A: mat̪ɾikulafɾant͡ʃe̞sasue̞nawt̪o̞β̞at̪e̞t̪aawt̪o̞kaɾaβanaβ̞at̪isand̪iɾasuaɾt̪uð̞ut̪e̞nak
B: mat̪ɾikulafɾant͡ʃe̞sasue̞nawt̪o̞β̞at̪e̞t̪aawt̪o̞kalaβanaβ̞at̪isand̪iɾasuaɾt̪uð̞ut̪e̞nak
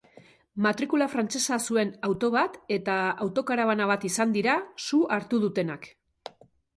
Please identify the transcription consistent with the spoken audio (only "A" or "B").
A